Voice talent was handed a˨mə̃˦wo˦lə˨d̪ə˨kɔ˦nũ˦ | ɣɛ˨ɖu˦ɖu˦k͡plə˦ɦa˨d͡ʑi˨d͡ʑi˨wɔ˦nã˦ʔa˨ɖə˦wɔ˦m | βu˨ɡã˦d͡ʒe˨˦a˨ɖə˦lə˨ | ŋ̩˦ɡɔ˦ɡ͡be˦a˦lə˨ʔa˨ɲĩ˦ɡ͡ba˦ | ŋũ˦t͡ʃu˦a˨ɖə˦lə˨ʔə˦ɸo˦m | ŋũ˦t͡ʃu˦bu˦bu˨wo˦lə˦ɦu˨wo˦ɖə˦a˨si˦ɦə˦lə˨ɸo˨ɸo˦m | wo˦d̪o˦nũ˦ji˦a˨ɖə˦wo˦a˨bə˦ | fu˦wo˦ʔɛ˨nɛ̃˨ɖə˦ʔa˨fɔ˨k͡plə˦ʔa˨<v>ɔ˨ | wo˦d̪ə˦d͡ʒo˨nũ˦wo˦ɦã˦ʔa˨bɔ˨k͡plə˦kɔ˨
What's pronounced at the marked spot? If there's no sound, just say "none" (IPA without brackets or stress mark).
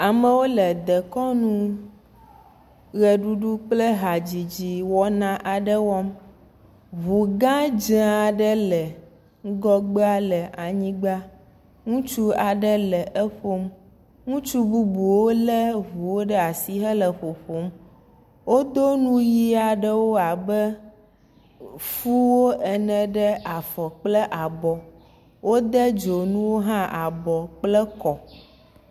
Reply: b